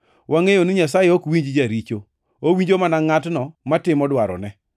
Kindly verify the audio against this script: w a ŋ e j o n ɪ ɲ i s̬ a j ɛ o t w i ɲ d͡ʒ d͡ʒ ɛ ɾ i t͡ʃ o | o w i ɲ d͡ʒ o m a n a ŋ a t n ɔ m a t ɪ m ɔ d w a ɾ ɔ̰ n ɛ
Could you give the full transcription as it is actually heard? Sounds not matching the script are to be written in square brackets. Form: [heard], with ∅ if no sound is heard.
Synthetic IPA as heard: w a ŋ e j o n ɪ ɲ [a] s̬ a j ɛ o [k] w i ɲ d͡ʒ d͡ʒ [a] ɾ i t͡ʃ o | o w i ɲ d͡ʒ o m a n a ŋ a t n ɔ m a t ɪ m ɔ d w a ɾ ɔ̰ n ɛ